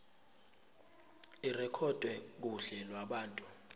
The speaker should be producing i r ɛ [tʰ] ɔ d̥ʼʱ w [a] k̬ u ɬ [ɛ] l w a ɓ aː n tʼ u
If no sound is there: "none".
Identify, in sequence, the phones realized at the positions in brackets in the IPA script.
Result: kʰ, ɛ, ɛ

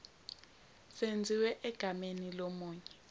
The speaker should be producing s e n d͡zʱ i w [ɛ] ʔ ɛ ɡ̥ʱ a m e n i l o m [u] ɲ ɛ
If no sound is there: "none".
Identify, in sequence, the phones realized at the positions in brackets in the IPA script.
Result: ɛ, uː

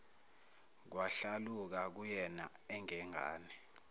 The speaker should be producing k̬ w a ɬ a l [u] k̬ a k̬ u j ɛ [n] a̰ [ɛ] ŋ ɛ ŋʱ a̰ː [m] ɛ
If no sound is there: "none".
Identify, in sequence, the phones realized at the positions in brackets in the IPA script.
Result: u, n, ɛ, n

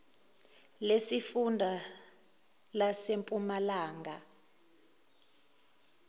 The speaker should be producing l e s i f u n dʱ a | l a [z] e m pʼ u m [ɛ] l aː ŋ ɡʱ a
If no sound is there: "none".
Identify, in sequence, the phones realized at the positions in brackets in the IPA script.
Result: s, a

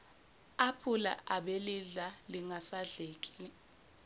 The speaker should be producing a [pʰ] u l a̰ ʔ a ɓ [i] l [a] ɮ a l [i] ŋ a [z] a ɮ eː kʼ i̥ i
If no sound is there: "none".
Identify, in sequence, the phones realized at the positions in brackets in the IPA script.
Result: pʰ, e, i, i, s

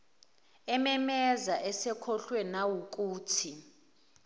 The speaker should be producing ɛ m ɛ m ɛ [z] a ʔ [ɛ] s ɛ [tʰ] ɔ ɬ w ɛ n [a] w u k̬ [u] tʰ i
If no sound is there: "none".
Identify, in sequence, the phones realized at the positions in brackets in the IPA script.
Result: z, ɛ, kʰ, a, uː

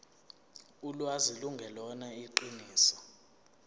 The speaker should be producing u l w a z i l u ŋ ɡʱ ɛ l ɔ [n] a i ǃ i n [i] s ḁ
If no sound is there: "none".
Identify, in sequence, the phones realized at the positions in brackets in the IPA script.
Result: n, iː

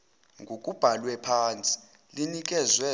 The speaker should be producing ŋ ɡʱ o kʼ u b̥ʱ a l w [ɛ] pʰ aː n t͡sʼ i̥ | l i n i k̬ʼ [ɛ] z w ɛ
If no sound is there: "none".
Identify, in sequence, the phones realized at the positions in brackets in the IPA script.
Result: ɛ, ɛ

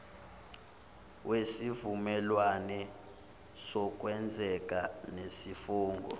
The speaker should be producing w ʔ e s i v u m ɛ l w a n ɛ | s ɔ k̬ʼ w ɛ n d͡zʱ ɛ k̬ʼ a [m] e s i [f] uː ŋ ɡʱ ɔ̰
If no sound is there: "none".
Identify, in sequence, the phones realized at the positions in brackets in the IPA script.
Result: n, f

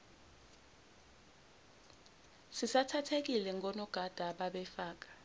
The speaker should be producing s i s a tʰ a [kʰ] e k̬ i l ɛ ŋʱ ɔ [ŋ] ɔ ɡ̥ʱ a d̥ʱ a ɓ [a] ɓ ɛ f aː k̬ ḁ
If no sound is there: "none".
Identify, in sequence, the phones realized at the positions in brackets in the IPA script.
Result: tʰ, n, a

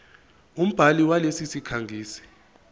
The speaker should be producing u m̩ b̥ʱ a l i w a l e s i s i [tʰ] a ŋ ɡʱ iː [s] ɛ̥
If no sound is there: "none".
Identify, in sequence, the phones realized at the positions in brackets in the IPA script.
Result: kʰ, s

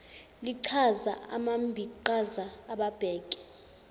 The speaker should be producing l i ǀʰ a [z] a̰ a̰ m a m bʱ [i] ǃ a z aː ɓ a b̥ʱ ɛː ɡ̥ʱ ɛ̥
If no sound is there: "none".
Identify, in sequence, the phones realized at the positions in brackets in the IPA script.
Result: z, i

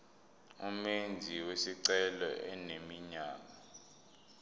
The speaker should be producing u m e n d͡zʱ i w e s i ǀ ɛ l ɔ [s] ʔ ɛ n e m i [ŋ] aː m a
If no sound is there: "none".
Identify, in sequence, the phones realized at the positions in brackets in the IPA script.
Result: none, ɲ

